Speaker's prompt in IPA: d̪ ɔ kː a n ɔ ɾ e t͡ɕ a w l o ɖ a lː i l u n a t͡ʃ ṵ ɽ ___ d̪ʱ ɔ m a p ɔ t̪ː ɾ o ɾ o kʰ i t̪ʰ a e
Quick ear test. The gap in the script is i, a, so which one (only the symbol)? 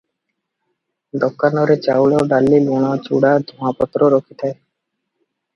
a